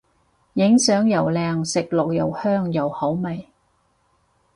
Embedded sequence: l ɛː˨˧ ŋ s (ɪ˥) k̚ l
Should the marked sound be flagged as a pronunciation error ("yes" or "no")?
yes